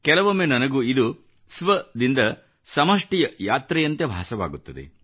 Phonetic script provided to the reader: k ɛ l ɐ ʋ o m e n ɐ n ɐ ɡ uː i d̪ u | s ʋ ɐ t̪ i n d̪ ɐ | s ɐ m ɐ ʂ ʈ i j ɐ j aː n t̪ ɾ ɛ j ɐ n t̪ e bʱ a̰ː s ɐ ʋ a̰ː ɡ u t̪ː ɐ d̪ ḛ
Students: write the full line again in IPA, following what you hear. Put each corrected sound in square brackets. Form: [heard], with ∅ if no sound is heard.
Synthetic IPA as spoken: k ɛ l ɐ ʋ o m e n ɐ n ɐ ɡ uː i d̪ u | s ʋ ɐ [d̪] i n d̪ ɐ | s ɐ m ɐ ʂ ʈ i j ɐ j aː [∅] t̪ ɾ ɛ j ɐ n t̪ e bʱ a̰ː s ɐ ʋ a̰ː ɡ u t̪ː ɐ d̪ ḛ